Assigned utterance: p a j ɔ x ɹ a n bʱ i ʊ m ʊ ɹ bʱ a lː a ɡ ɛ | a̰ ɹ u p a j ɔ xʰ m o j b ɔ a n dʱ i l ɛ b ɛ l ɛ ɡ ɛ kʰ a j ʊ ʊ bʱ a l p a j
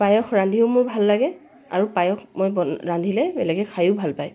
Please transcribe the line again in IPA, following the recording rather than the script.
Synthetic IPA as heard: p a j ɔ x ɹ a n dʱ i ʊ m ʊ ɹ bʱ a lː a ɡ ɛ | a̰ ɹ u p a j ɔ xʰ m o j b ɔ a n dʱ i l ɛ b ɛ l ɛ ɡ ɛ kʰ a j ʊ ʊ bʱ a l p a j